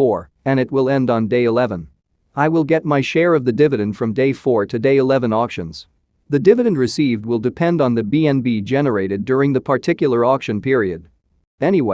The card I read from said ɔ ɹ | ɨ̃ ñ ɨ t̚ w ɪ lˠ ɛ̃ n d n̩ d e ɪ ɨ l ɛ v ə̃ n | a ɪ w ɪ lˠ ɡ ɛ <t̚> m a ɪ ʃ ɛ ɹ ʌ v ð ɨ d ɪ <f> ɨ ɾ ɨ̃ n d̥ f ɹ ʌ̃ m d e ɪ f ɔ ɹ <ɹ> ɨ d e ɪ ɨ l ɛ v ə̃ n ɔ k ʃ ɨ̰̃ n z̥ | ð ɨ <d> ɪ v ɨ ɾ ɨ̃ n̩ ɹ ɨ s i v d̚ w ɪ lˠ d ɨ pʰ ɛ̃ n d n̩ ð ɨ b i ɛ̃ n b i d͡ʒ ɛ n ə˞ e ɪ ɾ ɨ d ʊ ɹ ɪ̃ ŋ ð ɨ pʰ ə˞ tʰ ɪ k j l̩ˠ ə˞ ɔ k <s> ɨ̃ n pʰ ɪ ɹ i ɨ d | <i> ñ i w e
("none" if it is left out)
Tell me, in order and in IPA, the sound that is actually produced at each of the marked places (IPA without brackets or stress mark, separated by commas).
t̚, v, ɾ, d, ʃ, ɛ